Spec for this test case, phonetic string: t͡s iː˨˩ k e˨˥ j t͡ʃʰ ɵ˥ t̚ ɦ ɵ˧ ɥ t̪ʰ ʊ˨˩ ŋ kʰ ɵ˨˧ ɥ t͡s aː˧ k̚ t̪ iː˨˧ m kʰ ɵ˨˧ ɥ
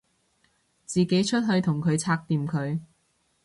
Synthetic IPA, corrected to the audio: t͡s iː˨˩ k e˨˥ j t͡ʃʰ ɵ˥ t̚ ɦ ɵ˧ ɥ t̪ʰ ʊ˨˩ ŋ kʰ ɵ˨˧ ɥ t͡sʰ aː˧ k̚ t̪ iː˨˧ m kʰ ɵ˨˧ ɥ